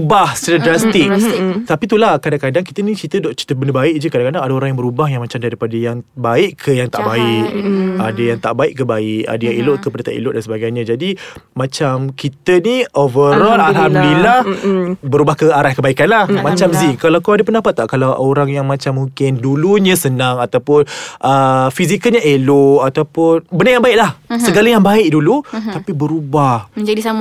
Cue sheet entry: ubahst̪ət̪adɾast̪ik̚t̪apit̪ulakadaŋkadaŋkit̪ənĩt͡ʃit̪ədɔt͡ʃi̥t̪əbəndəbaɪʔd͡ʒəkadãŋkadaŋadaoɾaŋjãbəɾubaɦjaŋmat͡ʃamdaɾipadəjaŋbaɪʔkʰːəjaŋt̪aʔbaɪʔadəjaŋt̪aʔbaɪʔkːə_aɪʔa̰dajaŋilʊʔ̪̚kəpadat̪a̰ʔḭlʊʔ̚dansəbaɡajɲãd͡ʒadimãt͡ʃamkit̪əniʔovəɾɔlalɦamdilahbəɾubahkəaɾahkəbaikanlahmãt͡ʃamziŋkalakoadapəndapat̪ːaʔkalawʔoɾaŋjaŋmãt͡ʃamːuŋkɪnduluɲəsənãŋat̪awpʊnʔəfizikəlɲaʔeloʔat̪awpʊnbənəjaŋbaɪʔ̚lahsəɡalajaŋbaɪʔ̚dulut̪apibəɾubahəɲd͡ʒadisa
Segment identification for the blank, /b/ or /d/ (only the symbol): b